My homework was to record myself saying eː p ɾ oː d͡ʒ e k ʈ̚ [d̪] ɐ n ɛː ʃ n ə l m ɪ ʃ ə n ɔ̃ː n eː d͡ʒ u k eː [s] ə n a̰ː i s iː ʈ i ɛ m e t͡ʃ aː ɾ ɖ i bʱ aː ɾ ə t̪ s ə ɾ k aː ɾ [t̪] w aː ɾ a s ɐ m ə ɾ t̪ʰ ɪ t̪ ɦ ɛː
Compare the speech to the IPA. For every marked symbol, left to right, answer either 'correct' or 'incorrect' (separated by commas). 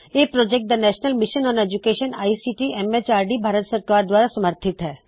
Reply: correct, incorrect, incorrect